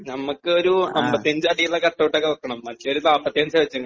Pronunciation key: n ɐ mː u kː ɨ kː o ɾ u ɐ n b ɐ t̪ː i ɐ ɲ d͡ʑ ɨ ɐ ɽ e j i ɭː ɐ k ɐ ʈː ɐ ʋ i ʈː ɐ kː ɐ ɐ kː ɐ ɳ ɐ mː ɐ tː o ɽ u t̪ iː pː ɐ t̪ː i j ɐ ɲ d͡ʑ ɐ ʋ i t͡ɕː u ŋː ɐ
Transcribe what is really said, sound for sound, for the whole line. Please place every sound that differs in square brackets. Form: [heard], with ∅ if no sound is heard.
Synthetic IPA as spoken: n ɐ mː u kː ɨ [∅] o ɾ u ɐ [m] b ɐ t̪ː i ɐ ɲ d͡ʑ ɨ ɐ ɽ [i] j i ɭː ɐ k ɐ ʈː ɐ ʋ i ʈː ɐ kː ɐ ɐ kː ɐ ɳ ɐ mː ɐ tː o [ɾ] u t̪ [aː] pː ɐ t̪ː i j ɐ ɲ d͡ʑ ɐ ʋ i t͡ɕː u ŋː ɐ